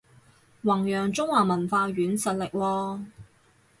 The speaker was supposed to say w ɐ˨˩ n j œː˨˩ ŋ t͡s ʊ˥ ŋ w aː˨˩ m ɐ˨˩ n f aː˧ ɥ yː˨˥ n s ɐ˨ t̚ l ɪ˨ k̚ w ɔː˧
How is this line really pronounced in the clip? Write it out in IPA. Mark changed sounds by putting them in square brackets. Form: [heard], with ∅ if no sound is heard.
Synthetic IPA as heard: w ɐ˨˩ [ŋ] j œː˨˩ ŋ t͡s ʊ˥ ŋ w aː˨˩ m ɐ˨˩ n f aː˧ ɥ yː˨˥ n s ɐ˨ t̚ l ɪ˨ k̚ w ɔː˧

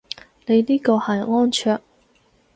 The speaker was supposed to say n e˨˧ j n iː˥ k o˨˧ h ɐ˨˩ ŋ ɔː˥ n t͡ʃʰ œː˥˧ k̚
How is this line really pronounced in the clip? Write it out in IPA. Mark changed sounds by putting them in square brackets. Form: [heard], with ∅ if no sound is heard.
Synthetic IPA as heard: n e˨˧ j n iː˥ k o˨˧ h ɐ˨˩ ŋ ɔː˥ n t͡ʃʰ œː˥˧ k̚

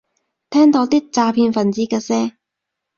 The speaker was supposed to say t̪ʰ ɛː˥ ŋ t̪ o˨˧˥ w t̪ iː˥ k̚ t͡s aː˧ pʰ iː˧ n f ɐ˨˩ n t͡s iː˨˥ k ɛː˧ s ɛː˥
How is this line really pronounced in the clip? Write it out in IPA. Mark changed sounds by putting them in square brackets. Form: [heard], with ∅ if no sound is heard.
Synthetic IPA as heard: t̪ʰ ɛː˥ ŋ t̪ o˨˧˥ w t̪ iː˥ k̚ t͡s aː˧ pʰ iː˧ n f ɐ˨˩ n t͡s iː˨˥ k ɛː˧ s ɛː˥

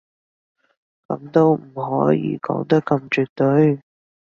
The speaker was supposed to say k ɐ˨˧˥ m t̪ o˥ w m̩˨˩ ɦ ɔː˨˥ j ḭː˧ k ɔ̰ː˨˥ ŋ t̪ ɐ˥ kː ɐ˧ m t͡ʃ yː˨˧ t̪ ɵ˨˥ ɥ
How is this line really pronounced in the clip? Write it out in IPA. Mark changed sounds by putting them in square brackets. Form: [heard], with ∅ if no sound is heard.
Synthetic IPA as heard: k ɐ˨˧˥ m t̪ o˥ w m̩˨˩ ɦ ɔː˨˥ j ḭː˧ k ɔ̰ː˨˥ ŋ t̪ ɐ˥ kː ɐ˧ m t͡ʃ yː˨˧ t̪ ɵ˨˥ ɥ

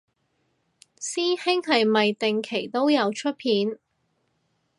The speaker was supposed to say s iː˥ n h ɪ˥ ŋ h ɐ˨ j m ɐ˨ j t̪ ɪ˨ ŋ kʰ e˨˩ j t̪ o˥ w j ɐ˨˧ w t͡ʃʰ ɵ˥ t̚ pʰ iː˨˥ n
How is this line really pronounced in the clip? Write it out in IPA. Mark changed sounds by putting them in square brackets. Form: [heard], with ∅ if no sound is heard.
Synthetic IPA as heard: s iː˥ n h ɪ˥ ŋ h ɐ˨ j m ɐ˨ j t̪ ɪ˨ ŋ kʰ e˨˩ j t̪ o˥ w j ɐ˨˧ w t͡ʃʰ ɵ˥ t̚ pʰ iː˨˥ n

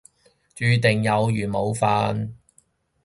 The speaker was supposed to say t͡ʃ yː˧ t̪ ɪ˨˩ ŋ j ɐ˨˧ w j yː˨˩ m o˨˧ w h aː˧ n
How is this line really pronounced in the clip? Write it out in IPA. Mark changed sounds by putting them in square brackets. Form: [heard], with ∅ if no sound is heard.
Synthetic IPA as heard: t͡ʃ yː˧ t̪ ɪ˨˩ ŋ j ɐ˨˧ w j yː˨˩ m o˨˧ w [f] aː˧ n

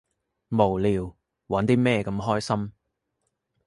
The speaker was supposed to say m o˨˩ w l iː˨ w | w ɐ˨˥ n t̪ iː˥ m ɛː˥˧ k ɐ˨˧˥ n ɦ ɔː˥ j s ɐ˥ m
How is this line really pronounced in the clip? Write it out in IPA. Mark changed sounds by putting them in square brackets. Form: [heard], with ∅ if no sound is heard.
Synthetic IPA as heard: m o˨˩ w l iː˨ w | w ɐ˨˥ n t̪ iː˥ m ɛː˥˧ k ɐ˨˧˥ [m] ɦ ɔː˥ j s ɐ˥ m

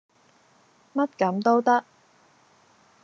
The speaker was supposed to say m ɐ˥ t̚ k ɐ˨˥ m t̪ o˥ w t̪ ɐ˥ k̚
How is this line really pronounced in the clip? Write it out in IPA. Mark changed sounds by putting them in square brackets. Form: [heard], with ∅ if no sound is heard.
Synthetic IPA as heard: m ɐ˥ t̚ k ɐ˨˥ m t̪ o˥ w t̪ ɐ˥ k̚

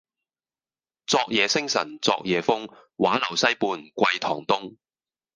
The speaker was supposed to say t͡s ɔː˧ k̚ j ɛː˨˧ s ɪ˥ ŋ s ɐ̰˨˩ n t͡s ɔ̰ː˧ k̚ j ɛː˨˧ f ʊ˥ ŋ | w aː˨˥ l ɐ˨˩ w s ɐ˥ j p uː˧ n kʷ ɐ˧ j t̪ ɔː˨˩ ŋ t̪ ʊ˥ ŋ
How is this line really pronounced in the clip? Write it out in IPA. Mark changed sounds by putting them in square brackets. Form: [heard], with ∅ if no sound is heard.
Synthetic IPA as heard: t͡s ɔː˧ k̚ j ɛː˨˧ s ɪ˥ ŋ s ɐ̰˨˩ n t͡s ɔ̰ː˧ k̚ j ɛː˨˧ f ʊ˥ ŋ | w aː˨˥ l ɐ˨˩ w s ɐ˥ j p uː˧ n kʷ ɐ˧ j [t̪ʰ] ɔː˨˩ ŋ t̪ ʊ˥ ŋ

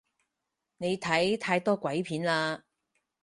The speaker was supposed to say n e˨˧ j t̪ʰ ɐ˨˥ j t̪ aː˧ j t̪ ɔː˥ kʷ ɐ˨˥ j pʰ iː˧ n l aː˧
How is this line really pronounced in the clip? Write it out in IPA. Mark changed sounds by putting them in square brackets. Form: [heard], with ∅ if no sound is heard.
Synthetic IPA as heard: n e˨˧ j t̪ʰ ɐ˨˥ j [t̪ʰ] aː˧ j t̪ ɔː˥ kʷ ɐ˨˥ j pʰ [iː˨˥] n l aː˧

